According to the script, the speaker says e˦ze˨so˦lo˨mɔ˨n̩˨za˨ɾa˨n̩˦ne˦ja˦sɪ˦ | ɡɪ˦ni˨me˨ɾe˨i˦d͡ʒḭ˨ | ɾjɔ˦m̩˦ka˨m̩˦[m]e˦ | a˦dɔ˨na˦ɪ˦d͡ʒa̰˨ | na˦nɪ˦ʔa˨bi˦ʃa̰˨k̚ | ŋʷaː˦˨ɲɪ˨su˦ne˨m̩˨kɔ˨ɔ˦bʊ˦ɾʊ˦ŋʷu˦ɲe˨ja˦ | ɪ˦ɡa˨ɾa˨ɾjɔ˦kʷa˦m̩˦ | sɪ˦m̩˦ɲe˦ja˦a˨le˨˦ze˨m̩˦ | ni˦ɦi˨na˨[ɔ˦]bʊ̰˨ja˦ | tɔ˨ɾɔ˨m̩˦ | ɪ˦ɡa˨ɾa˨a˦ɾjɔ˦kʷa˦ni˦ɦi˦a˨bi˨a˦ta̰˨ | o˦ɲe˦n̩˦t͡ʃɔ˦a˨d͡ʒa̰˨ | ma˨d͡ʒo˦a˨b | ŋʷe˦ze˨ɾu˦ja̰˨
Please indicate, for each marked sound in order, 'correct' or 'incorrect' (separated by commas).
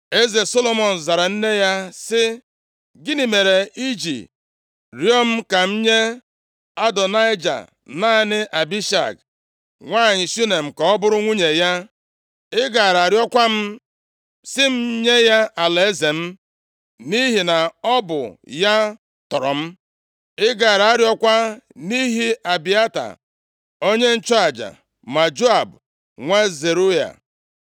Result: incorrect, correct